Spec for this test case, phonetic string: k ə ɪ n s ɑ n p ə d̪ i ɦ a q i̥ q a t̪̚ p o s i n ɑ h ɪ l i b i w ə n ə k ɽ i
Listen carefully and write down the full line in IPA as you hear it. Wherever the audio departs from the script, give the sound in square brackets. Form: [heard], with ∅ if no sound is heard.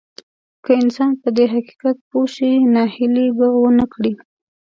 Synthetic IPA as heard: k ə ɪ n s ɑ n p ə d̪ [e] ɦ a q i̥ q a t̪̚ p o [ʃ] i n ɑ h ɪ l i b [a] w ə n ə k ɽ i